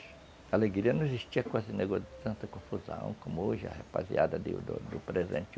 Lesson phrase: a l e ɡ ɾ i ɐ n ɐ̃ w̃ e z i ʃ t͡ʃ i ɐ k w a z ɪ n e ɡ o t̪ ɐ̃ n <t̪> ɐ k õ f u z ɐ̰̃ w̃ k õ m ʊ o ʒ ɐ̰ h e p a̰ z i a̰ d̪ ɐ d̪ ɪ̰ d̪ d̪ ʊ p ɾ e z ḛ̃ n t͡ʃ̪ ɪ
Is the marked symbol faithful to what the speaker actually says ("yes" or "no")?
yes